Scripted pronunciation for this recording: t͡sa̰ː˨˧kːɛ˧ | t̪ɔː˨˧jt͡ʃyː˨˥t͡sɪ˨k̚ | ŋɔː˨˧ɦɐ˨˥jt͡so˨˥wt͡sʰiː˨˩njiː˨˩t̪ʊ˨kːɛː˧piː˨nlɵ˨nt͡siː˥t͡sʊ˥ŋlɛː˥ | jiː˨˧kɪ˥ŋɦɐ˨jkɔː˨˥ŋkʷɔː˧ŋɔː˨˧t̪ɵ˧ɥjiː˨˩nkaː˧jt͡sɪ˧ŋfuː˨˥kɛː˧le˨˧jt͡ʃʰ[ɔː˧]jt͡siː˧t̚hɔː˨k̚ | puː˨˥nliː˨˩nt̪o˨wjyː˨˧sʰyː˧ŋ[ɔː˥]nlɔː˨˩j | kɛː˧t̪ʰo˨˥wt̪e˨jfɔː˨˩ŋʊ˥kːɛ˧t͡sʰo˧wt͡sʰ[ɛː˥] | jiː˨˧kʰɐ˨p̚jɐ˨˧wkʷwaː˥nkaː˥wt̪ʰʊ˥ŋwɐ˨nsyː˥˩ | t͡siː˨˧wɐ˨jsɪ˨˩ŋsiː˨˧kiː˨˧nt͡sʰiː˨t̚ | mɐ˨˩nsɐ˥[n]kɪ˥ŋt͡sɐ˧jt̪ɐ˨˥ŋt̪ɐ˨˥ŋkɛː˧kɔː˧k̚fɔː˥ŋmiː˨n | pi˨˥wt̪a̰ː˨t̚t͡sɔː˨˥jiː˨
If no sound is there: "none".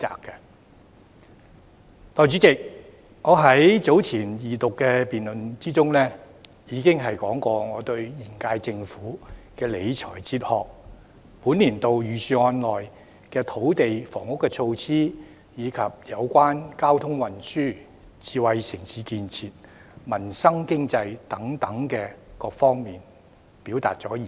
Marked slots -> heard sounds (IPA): ɔː˨˩, ɔː˧, iː˥, ŋ

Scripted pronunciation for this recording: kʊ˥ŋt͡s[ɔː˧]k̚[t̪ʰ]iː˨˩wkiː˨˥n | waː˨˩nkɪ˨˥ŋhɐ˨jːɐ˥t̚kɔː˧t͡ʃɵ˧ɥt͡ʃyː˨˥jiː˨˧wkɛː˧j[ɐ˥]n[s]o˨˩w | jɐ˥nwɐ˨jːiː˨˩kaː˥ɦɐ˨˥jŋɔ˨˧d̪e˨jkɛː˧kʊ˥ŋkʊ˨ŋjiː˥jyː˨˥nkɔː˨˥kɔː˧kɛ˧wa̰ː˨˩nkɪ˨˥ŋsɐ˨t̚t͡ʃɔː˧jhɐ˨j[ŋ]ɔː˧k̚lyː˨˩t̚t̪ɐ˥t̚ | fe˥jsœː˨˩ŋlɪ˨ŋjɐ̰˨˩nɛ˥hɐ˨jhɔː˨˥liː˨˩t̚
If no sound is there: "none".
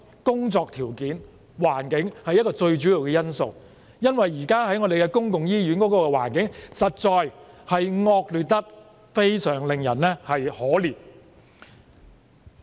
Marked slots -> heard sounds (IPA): ɔː˧, t̪ʰ, ɐ˥, s, ŋ

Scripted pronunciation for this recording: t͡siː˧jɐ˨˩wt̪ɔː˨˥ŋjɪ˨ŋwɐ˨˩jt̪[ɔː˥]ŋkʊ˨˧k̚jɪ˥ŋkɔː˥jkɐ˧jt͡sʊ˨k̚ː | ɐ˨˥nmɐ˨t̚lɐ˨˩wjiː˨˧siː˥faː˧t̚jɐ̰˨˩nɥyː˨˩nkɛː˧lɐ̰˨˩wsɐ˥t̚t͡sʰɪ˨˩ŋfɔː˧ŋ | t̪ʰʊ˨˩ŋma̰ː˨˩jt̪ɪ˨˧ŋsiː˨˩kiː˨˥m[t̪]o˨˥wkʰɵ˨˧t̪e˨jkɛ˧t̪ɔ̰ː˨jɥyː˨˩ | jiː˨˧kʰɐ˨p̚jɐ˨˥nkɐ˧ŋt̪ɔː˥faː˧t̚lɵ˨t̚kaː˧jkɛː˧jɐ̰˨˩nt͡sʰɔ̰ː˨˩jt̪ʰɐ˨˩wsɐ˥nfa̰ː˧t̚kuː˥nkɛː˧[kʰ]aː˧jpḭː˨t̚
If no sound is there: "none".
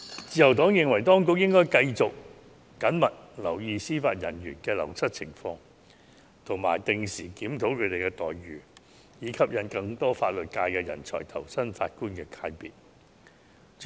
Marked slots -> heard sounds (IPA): ɔː˥, t̪ʰ, kʰ

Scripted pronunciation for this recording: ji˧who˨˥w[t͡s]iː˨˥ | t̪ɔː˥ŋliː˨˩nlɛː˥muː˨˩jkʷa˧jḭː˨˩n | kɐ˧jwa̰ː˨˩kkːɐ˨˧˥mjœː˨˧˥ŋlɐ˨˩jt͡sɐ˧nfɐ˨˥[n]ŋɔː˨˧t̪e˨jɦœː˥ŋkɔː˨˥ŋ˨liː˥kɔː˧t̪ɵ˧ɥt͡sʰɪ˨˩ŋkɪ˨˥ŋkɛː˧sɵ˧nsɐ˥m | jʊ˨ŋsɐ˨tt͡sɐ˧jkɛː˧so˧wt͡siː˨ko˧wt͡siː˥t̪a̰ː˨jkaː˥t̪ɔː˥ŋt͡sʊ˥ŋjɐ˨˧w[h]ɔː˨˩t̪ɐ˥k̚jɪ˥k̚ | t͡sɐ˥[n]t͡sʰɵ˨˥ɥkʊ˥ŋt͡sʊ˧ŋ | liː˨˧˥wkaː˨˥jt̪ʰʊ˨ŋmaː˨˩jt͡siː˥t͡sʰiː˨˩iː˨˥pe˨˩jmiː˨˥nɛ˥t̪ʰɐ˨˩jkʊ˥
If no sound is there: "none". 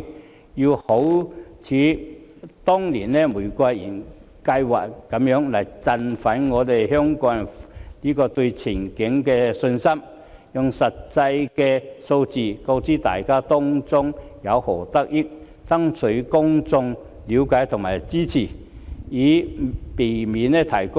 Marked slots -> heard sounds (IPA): t͡sʰ, n, h, ŋ

